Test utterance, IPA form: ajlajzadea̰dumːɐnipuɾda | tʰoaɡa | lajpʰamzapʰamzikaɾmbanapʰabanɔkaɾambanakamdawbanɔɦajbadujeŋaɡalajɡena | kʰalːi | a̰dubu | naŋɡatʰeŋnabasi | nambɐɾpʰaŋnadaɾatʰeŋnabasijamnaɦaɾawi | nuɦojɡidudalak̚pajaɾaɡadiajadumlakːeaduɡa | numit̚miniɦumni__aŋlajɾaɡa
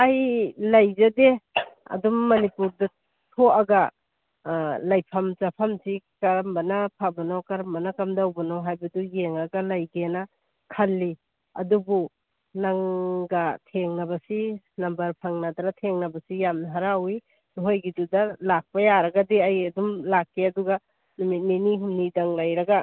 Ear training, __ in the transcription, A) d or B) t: A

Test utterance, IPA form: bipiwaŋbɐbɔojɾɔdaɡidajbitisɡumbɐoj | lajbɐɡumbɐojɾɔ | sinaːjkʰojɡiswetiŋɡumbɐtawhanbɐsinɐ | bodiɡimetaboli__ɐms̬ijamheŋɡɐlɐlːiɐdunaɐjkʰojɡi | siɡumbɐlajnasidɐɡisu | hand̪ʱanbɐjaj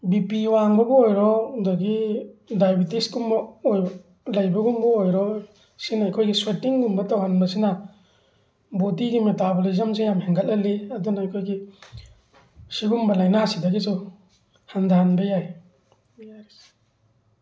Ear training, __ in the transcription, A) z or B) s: A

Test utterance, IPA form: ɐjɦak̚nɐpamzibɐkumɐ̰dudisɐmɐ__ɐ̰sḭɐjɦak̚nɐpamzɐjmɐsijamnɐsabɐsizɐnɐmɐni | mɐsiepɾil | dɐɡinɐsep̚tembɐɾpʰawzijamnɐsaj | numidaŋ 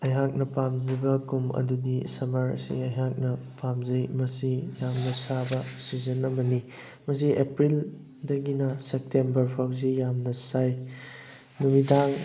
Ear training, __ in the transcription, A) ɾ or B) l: A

